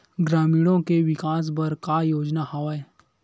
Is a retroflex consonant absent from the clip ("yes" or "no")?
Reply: no